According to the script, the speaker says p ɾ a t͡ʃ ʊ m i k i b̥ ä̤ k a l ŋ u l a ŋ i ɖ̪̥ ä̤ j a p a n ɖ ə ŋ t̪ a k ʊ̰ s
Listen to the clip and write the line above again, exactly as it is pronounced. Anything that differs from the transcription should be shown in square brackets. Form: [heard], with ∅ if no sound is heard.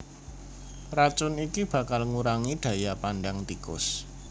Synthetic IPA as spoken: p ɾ a t͡ʃ ʊ [n] i k i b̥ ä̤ k a l ŋ u [ɾ] a ŋ i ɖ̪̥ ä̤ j a p a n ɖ [a] ŋ t̪ [i] k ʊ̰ s